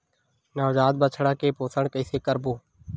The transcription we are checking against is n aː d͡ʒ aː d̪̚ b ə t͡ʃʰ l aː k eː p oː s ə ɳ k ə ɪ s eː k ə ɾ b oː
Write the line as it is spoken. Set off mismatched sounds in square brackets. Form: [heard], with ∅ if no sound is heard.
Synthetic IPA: n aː d͡ʒ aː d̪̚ b ə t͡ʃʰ [ɽ] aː k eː p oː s ə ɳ k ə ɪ s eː k ə ɾ b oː